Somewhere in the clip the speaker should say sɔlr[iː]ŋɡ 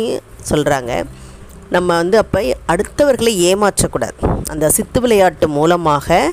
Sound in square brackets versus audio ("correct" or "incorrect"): incorrect